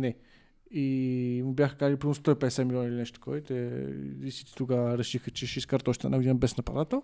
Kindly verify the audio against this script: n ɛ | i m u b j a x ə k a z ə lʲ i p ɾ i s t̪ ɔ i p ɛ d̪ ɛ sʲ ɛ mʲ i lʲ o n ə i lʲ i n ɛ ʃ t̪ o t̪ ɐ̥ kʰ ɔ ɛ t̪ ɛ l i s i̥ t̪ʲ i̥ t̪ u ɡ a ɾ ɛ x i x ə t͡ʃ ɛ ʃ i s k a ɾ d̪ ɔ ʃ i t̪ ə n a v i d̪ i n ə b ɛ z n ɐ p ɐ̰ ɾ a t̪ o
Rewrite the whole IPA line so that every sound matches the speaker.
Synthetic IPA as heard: n ɛ | i m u b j a x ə k a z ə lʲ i p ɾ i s t̪ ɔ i p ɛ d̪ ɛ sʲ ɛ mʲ i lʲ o n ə i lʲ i n ɛ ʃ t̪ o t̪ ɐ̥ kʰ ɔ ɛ t̪ ɛ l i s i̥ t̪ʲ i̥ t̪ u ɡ a ɾ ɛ ʃ i x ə t͡ʃ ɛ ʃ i s k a ɾ t̪ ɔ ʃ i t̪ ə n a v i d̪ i n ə b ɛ s n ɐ p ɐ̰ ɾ a t̪ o